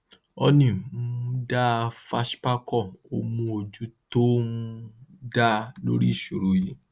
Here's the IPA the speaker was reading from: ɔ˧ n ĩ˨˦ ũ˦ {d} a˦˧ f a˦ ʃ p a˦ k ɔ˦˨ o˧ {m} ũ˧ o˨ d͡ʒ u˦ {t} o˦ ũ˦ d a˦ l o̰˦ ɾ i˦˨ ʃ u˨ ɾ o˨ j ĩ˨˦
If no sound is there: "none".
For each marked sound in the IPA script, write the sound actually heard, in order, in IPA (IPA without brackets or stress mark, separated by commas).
d, m, t